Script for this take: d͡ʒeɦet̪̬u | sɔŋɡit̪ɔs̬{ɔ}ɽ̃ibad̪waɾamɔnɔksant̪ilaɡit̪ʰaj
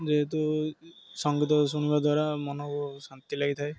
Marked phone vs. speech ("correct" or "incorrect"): incorrect